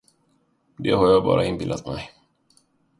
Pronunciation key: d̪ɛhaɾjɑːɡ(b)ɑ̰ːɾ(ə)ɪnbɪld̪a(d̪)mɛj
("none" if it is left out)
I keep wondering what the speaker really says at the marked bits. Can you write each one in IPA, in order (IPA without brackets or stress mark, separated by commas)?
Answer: b, a, t̪